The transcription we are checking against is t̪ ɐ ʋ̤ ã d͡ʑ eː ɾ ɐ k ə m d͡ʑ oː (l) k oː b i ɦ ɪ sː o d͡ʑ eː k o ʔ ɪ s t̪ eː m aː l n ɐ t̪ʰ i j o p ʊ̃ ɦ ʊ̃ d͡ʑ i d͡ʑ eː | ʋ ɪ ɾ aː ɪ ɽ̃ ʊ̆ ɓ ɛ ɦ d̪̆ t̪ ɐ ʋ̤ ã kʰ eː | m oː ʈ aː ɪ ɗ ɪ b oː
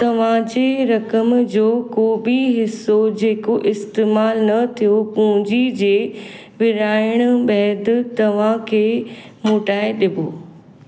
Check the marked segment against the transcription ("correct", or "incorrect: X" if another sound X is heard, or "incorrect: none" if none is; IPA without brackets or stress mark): incorrect: none